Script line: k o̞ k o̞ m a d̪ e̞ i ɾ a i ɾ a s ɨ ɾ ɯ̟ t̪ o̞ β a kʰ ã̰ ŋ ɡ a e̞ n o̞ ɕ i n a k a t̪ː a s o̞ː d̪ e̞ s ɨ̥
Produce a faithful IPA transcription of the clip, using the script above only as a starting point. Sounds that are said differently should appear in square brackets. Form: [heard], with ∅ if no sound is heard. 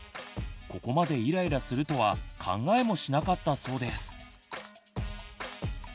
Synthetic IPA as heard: k o̞ k o̞ m a d̪ e̞ i ɾ a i ɾ a s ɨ ɾ ɯ̟ t̪ o̞ β a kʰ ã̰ ŋ ɡ a e̞ [m] o̞ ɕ i n a k a t̪ː a s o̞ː d̪ e̞ s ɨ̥